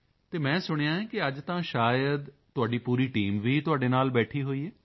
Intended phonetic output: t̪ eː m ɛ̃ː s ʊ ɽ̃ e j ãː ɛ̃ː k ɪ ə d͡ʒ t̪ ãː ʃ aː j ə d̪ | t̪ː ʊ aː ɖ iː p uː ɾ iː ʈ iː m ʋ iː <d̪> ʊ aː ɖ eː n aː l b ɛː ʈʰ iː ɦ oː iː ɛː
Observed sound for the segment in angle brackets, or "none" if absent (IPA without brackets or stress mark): t̪